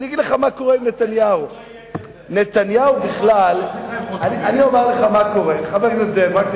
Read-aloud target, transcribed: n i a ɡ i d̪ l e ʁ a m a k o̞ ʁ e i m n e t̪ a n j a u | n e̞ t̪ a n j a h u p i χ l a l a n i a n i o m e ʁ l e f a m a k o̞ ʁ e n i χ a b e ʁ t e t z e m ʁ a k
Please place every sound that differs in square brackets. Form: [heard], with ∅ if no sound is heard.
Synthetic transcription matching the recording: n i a ɡ i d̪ l e [χ] a m a k o̞ ʁ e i m n e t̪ a n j a u | n e̞ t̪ a n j a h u [b] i χ l a l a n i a n i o m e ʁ l e [χ] a m a k o̞ ʁ e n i χ a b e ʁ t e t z e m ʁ a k